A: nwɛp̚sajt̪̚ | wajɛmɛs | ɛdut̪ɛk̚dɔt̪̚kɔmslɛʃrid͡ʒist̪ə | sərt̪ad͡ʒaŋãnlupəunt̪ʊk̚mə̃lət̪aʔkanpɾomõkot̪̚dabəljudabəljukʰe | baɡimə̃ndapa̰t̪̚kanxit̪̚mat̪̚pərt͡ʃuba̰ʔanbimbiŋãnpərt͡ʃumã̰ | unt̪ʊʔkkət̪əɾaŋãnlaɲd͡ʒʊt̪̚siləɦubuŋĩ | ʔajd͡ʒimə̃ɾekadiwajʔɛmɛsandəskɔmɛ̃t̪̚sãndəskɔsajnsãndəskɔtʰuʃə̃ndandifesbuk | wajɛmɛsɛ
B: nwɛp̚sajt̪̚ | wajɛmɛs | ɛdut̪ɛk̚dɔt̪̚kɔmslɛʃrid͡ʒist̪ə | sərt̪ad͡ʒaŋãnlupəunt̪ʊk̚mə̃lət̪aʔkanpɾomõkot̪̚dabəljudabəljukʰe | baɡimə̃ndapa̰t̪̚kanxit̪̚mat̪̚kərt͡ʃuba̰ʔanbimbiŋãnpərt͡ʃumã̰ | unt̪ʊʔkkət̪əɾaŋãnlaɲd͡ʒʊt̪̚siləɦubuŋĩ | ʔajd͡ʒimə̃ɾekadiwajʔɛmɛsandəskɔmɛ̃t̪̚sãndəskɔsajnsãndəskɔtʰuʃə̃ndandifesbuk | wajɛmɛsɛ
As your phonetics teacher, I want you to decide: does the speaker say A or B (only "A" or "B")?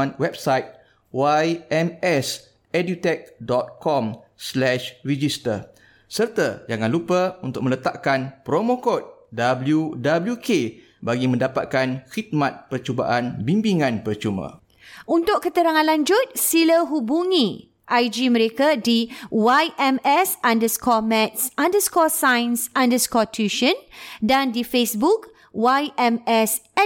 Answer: A